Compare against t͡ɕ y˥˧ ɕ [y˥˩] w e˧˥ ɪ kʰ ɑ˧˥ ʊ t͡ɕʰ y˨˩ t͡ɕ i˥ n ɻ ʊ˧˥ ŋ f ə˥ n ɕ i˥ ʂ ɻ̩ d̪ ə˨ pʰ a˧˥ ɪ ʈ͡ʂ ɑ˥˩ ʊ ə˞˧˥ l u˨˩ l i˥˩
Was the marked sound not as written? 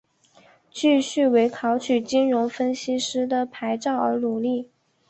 no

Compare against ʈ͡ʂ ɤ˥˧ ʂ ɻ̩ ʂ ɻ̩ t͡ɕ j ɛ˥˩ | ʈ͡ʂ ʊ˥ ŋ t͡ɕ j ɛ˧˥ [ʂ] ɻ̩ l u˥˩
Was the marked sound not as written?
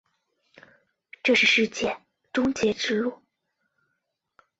yes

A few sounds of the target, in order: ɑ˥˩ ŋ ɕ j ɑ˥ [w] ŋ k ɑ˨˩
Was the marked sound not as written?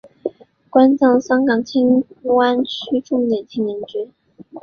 yes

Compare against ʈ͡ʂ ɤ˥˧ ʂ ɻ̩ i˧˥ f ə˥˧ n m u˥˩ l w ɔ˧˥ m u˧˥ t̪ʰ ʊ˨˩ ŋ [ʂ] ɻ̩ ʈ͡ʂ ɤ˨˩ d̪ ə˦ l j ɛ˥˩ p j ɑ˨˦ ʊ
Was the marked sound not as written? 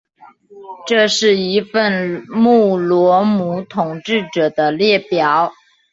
yes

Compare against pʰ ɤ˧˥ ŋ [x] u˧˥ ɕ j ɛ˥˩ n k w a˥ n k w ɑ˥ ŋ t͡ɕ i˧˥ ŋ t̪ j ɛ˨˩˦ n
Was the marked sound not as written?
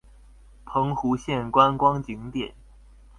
no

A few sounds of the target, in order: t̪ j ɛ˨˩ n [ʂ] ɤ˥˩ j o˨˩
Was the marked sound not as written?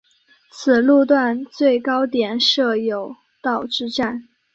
no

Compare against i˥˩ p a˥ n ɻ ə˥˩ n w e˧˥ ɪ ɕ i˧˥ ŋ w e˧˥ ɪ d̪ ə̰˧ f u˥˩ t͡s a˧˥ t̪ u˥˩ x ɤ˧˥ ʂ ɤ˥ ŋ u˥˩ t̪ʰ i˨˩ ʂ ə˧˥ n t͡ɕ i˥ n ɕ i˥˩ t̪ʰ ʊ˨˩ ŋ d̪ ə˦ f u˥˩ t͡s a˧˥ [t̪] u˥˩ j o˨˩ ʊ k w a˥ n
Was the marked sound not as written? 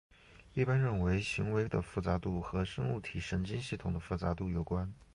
no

